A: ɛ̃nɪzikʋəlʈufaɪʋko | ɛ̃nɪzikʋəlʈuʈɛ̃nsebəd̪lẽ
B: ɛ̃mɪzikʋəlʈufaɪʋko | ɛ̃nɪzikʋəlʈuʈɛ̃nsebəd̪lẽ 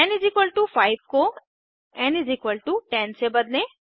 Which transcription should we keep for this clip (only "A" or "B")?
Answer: A